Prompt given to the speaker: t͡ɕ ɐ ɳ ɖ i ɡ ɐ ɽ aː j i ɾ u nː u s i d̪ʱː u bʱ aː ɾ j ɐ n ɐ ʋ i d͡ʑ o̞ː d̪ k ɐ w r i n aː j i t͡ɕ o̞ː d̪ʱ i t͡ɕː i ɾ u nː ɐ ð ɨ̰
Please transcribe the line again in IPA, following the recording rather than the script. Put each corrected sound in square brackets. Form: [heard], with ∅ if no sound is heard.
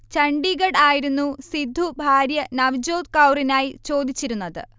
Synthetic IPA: t͡ɕ ɐ ɳ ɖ i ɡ ɐ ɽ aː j i ɾ u nː u s i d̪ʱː u bʱ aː ɾ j ɐ n ɐ ʋ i d͡ʑ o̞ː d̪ k ɐ w r i n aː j i t͡ɕ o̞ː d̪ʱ i t͡ɕː i ɾ u nː ɐ ð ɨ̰